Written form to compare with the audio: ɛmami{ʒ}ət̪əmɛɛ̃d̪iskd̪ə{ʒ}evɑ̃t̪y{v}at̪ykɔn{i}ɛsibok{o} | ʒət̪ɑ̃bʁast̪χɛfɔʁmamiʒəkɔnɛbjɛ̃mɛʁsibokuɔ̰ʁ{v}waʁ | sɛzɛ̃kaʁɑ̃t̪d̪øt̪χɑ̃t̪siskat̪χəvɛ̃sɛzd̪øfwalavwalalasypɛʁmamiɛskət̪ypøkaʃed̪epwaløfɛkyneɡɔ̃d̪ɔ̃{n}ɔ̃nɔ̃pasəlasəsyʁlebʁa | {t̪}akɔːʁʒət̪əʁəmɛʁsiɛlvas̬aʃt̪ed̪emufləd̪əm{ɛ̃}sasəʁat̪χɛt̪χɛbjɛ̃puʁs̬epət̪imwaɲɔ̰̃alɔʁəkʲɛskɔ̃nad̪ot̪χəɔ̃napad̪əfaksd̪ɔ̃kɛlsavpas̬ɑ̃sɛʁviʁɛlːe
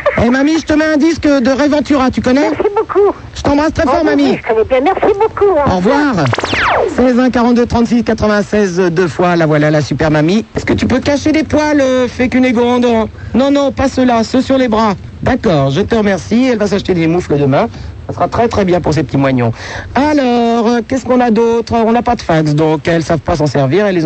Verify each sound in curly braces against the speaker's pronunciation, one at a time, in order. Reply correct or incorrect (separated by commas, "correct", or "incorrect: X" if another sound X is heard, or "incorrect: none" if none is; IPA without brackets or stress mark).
correct, incorrect: ʁ, incorrect: ʁ, incorrect: ɛ, incorrect: u, correct, correct, incorrect: d̪, correct